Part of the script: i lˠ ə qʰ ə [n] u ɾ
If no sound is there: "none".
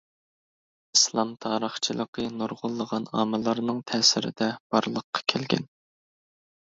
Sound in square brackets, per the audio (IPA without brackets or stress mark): n